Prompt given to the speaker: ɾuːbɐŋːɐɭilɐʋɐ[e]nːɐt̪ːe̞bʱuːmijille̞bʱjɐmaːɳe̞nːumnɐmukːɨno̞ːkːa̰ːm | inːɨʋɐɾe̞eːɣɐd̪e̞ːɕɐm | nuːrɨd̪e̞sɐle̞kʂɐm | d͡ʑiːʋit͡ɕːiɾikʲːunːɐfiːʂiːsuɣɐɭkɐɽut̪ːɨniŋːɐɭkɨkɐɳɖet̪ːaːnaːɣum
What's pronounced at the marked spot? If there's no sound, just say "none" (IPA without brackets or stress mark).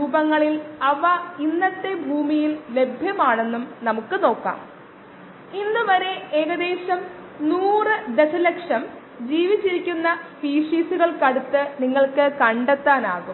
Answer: i